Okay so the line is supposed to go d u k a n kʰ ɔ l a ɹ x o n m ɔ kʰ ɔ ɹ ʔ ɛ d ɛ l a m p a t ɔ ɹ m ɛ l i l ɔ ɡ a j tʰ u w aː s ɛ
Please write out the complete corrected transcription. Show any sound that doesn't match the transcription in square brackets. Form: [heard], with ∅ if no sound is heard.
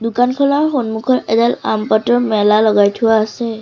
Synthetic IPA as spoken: d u k a n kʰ ɔ l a ɹ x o n m [u] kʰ ɔ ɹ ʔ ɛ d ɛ l a m p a t ɔ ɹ m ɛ l [a] l ɔ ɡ a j tʰ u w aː s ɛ